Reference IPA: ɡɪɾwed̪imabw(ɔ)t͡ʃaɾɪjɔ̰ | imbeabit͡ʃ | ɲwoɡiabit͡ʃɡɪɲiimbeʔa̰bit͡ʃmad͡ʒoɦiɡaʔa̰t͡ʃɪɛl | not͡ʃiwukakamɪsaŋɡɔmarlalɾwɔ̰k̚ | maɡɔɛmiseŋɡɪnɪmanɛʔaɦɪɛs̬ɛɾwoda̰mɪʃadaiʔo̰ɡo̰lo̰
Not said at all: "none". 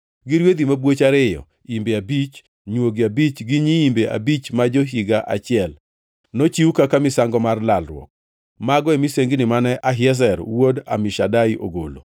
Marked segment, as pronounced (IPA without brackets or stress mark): o